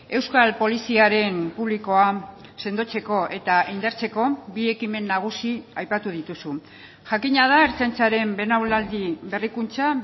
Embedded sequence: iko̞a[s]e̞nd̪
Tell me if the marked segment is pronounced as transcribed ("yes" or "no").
yes